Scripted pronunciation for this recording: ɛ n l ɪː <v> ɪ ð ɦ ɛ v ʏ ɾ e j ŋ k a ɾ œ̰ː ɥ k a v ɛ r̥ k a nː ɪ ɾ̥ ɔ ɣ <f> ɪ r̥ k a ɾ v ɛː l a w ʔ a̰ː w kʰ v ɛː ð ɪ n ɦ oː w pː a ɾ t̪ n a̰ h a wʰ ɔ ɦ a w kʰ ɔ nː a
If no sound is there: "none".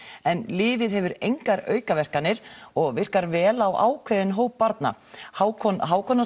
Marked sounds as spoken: v, v

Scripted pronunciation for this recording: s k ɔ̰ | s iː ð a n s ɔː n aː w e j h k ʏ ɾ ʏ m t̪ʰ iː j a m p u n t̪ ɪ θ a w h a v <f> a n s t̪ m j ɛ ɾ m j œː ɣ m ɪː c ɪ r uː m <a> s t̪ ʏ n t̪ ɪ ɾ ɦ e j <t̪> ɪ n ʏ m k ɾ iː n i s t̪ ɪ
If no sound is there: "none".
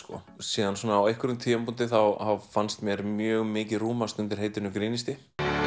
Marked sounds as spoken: f, a, t̪

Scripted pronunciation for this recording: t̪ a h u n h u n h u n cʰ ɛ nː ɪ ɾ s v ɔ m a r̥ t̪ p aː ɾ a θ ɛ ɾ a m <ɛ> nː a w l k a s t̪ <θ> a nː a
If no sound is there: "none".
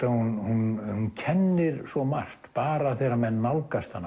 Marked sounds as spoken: ɛ, h

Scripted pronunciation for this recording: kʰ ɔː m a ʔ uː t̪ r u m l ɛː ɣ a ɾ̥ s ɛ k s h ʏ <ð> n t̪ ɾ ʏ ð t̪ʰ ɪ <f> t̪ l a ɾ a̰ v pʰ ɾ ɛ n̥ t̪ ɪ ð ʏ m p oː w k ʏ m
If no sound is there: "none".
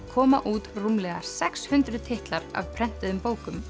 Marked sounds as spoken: none, h

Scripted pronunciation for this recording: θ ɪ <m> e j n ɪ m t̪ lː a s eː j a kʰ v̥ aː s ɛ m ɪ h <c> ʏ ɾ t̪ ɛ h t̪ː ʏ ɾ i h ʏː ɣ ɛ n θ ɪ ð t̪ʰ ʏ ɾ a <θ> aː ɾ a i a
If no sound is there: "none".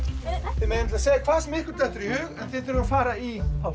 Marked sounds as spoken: m, k, f

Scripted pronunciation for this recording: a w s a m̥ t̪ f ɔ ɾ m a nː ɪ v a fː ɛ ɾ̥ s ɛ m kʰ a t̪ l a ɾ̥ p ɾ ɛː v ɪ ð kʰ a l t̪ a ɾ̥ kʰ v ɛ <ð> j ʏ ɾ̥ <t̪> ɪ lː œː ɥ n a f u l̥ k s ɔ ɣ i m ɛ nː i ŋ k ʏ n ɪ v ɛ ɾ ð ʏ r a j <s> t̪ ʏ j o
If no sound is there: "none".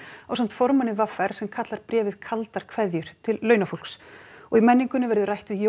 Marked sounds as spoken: ð, t̪ʰ, h

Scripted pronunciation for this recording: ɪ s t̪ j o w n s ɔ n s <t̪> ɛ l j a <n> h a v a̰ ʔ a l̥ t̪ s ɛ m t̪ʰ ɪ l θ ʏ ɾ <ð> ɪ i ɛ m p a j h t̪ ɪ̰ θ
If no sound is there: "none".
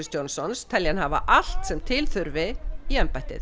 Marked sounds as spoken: t̪ʰ, n, v

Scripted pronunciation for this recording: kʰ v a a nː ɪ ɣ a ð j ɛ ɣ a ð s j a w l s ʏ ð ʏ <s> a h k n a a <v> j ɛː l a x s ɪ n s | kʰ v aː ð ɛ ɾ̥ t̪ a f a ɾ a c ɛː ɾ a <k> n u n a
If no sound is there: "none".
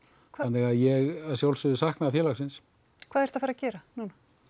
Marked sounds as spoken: s, f, none

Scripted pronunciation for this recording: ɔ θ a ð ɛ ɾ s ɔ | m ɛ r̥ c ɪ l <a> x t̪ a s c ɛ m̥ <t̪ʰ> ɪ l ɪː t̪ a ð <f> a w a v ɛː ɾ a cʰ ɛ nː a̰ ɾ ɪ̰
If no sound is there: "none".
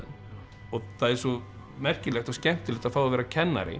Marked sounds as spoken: ɛ, t̪, f

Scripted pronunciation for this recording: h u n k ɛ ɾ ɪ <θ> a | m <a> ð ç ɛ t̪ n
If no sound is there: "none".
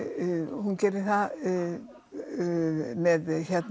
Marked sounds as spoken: θ, ɛ

